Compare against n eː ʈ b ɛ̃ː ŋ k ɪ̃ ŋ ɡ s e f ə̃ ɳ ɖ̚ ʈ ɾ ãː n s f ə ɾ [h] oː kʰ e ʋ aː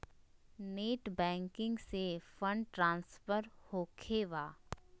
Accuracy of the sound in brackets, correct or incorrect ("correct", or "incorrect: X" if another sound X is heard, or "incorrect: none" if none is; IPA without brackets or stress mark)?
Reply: correct